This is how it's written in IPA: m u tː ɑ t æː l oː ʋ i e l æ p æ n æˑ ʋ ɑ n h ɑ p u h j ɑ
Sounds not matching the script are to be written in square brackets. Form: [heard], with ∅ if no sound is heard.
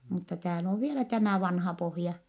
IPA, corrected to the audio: m u tː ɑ t æː l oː ʋ i e l æ [t] æ [m] æˑ ʋ ɑ n h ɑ p [o] h j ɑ